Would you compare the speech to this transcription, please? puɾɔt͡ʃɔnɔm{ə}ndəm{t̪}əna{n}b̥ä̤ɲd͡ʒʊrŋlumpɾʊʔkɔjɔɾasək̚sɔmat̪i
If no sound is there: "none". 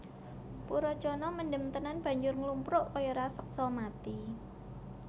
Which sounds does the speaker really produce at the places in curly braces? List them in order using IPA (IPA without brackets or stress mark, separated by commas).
ə, t̪, n